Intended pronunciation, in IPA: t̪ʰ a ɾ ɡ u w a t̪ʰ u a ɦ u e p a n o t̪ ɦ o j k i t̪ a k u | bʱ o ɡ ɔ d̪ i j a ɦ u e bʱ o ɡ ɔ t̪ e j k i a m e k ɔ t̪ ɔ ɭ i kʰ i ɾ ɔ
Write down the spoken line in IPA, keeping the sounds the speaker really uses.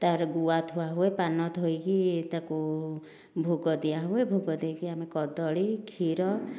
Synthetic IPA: t̪ a ɾ ɡ u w a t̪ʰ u a ɦ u e p a n ɔ t̪ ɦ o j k i t̪ a k u | bʱ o ɡ ɔ d̪ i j a ɦ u e bʱ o ɡ ɔ d̪ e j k i a m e k ɔ d̪ ɔ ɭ i kʰ i ɾ ɔ